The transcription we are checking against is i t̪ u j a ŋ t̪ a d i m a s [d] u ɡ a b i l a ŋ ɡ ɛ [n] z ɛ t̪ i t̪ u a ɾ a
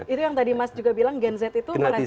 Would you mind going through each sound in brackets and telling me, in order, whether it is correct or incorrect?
incorrect: d͡ʒ, correct

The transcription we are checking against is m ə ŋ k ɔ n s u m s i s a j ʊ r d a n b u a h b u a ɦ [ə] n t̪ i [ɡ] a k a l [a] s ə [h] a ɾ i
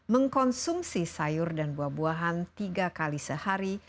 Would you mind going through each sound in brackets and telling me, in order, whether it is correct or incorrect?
incorrect: a, correct, incorrect: i, correct

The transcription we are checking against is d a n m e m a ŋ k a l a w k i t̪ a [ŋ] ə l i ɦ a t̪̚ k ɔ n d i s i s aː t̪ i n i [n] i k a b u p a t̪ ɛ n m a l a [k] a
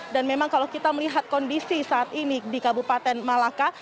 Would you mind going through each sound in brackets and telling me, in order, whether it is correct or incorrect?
incorrect: m, incorrect: d, correct

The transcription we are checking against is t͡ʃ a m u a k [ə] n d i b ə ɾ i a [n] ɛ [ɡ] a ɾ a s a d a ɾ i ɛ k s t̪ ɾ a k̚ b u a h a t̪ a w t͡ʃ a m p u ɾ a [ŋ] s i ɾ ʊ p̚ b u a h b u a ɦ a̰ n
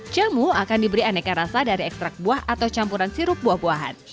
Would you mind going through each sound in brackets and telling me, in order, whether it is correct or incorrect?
incorrect: a, correct, incorrect: k, incorrect: n

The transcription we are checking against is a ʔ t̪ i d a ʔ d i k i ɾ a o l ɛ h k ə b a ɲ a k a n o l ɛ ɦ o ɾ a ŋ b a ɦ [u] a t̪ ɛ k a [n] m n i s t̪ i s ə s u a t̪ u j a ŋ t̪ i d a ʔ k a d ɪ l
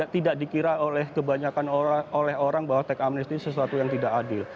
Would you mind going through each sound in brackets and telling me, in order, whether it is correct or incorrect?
incorrect: w, incorrect: none

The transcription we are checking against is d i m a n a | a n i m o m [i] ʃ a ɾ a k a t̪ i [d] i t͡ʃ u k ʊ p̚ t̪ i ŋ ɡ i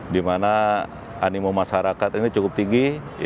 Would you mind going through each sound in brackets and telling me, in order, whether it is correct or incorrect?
incorrect: a, incorrect: n

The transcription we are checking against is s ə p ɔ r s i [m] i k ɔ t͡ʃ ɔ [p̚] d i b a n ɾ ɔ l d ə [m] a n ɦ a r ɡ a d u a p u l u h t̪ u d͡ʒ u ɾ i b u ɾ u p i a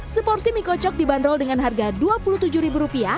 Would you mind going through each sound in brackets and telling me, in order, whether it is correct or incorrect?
correct, incorrect: k̚, incorrect: ŋ

